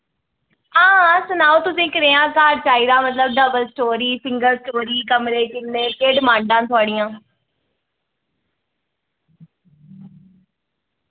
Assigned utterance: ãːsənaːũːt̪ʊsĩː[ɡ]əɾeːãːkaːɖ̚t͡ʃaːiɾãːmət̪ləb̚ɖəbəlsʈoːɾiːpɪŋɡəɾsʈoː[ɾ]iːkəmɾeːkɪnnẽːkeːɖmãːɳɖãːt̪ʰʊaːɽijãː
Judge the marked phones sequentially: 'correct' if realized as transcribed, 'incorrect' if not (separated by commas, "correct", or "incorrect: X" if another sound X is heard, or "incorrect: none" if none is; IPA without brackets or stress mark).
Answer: incorrect: k, correct